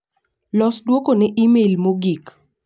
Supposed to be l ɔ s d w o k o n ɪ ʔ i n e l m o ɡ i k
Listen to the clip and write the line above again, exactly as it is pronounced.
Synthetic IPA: l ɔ s d w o k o n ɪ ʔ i m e l m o ɡ i k